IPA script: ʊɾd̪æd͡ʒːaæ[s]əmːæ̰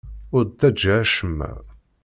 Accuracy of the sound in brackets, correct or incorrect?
incorrect